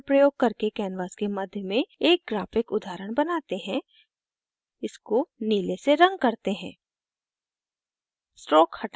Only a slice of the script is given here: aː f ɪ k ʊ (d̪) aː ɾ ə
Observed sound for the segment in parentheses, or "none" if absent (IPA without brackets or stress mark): d̪